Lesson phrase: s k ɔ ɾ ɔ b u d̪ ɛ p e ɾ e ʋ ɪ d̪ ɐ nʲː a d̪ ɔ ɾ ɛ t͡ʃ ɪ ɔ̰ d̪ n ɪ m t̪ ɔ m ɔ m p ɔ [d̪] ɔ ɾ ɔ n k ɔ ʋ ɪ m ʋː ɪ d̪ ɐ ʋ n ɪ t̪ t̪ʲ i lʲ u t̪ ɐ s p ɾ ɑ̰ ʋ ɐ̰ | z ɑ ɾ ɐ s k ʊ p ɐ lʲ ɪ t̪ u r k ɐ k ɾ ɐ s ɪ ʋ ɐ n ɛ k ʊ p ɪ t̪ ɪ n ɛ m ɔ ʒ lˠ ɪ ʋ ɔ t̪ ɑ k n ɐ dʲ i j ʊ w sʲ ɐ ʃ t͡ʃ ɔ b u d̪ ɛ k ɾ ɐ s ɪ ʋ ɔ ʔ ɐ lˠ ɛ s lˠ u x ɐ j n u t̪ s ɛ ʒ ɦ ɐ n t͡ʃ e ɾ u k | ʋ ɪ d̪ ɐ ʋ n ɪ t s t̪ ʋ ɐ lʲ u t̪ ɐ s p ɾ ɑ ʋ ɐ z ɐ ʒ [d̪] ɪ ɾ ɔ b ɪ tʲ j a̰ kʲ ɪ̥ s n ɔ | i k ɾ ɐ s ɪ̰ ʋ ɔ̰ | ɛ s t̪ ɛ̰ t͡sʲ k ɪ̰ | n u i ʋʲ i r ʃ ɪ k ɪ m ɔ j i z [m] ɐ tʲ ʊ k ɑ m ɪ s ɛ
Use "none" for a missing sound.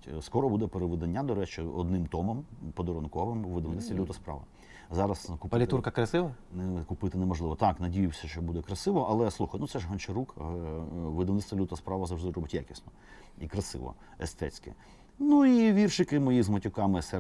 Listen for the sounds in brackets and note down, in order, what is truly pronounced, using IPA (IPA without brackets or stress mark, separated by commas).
d̪, d̪, m